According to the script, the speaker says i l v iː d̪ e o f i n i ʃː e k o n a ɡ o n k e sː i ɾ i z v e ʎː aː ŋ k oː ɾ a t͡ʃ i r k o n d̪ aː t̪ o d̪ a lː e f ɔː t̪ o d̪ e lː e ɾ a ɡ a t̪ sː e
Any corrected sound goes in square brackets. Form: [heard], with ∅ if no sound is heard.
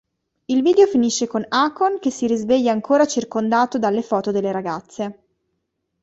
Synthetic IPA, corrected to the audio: i l v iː d̪ e o f i n i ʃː e k o n a [k] o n k e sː i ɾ i z v e ʎː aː ŋ k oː ɾ a t͡ʃ i r k o n d̪ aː t̪ o d̪ a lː e f ɔː t̪ o d̪ e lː e ɾ a ɡ a t̪ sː e